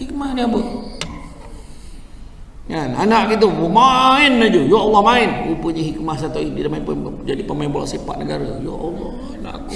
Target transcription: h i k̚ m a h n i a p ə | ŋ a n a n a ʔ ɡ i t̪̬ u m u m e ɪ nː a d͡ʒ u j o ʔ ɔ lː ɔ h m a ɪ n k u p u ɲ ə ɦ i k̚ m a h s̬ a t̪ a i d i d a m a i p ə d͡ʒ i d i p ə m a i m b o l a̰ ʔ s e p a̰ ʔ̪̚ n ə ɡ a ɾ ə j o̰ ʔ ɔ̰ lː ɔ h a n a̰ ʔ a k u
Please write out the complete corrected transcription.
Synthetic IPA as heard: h i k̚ m a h n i a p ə | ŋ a n a n a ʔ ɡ i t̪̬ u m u m a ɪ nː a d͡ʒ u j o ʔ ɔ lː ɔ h m a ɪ n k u p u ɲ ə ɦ i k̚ m a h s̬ a t̪ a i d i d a m a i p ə d͡ʒ a d i p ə m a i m b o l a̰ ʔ s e p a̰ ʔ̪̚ n ə ɡ a ɾ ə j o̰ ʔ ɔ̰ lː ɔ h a n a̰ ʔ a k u